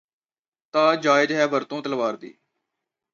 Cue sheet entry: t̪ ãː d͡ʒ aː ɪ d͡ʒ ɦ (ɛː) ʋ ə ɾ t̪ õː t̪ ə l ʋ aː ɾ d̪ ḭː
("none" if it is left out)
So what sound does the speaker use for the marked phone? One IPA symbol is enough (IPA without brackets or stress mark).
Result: ɛː